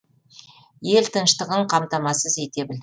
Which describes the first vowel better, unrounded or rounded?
unrounded